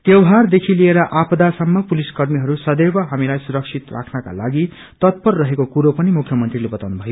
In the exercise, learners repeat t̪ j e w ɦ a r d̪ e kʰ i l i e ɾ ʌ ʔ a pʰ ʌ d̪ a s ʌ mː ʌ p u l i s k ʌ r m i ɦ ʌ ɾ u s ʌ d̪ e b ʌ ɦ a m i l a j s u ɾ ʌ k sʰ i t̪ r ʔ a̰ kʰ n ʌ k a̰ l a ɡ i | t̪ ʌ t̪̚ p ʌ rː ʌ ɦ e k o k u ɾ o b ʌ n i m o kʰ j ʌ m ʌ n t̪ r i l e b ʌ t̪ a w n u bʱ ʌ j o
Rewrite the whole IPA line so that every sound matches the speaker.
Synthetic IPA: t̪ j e w ɦ a r d̪ e kʰ i l i e ɾ ʌ ʔ a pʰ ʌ d̪ a s ʌ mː ʌ p u l i s k ʌ r m i ɦ ʌ ɾ u s ʌ d̪ e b ʌ ɦ a m i l a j s u ɾ ʌ k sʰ i t̪ r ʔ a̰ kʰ n ʌ k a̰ l a ɡ i | t̪ ʌ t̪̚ p ʌ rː ʌ ɦ e k o k u ɾ o p ʌ n i m u kʰ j ʌ m ʌ n t̪ r i l e b ʌ t̪ a w n u bʱ ʌ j o